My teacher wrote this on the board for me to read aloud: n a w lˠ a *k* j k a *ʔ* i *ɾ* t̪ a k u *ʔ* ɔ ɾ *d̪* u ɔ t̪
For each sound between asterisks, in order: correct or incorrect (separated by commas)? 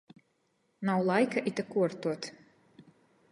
incorrect, correct, incorrect, incorrect, incorrect